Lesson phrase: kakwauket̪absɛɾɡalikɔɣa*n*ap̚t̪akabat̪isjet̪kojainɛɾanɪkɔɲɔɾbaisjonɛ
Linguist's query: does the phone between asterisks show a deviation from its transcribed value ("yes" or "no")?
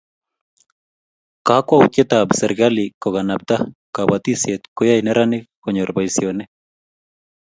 no